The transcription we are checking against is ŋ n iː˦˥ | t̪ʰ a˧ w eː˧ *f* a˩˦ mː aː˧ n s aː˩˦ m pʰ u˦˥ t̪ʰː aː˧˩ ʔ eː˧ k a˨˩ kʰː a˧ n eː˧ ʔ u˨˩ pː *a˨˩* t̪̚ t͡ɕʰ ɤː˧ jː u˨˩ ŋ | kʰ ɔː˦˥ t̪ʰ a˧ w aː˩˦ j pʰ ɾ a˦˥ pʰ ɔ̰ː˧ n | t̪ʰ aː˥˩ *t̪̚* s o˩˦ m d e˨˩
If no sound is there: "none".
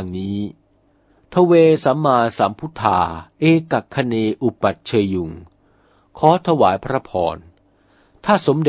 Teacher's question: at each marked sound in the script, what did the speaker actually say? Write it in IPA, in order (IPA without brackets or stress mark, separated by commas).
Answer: s, a˨˩, none